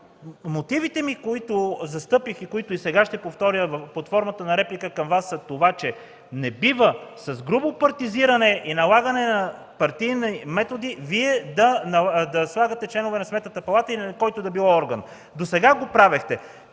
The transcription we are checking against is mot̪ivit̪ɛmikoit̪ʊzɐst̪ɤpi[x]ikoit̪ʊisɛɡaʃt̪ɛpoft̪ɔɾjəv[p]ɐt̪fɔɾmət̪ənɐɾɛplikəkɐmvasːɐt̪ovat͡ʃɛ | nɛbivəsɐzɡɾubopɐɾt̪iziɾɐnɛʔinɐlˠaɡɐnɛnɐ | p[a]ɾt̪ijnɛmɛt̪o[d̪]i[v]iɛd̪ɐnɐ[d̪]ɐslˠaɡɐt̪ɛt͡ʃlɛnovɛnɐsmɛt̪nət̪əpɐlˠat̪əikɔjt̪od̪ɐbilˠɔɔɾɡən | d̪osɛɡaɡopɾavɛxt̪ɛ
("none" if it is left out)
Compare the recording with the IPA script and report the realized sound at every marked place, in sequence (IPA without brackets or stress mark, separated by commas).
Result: x, p, ɐ, d̪, v, d̪